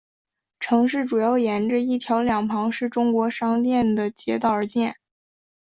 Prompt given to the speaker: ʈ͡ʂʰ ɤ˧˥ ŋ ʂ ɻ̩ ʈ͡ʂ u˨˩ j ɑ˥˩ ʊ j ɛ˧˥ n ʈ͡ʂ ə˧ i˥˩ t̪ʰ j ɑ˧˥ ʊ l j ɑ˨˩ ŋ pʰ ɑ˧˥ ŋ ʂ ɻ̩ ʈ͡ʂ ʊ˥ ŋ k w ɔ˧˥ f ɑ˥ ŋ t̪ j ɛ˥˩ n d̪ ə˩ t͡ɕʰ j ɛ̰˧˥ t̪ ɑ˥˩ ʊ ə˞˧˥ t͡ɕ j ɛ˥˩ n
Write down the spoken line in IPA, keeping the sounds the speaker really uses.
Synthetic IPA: ʈ͡ʂʰ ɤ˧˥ ŋ ʂ ɻ̩ ʈ͡ʂ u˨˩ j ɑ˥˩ ʊ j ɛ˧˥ n ʈ͡ʂ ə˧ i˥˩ t̪ʰ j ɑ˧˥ ʊ l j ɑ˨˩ ŋ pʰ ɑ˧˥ ŋ ʂ ɻ̩ ʈ͡ʂ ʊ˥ ŋ k w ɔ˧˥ ʂ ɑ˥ ŋ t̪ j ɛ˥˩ n d̪ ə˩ t͡ɕ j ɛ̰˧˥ t̪ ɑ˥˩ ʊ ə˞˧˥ t͡ɕ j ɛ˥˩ n